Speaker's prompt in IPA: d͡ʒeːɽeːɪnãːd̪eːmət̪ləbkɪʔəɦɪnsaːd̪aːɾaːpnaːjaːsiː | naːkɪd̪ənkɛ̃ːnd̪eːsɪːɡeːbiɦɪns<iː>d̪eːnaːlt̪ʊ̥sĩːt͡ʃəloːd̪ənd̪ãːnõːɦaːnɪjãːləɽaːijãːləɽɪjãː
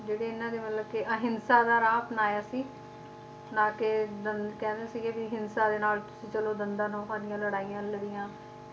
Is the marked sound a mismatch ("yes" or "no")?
yes